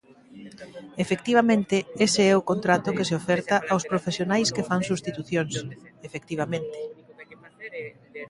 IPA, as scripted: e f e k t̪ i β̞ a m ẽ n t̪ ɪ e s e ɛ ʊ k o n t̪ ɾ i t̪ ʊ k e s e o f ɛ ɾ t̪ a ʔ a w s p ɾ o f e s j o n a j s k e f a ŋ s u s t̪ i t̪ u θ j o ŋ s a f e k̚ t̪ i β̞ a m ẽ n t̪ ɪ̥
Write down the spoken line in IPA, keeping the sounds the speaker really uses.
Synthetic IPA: e f e k t̪ i β̞ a m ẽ n t̪ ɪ e s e ɛ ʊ k o n t̪ ɾ a t̪ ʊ k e s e o f ɛ ɾ t̪ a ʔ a w s p ɾ o f e s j o n a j s k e f a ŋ s u s t̪ i t̪ u θ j o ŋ s e f e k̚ t̪ i β̞ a m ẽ n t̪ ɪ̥